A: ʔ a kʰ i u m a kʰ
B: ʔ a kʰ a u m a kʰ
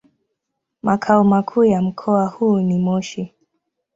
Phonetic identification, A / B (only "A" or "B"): B